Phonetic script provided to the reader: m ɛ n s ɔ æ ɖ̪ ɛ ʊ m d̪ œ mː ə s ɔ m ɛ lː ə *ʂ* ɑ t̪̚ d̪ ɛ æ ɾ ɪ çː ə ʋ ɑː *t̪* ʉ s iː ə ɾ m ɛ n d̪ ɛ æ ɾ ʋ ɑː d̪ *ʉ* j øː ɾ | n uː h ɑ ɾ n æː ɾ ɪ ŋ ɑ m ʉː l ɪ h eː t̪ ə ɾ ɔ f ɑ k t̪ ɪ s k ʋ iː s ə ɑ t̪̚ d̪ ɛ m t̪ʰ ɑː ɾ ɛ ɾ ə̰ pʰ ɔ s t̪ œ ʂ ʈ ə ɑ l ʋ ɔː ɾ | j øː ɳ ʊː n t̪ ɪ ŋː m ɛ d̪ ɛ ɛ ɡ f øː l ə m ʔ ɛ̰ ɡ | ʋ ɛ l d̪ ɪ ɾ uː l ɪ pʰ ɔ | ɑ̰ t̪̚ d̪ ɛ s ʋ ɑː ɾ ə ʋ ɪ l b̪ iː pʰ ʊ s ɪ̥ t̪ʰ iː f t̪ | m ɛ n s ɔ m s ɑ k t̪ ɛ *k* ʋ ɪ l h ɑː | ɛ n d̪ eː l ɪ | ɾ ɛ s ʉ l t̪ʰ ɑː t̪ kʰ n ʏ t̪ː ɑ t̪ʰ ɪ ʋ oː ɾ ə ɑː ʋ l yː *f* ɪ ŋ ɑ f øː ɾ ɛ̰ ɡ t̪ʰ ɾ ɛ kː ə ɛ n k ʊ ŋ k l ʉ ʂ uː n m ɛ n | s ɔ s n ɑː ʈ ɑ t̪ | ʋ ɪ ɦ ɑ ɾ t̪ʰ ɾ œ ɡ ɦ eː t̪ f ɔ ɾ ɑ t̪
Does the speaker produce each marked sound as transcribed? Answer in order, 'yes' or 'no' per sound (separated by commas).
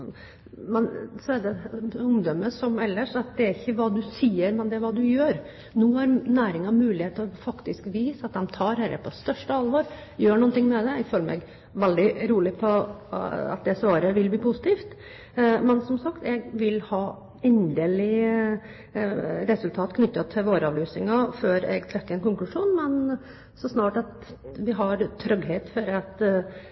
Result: yes, no, yes, no, no